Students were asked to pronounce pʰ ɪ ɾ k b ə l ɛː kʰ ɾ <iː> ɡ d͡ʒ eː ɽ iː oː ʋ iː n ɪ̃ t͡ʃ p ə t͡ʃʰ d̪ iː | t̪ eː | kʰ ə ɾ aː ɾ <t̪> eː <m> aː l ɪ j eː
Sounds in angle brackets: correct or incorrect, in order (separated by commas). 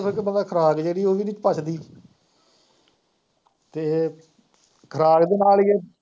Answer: incorrect, incorrect, incorrect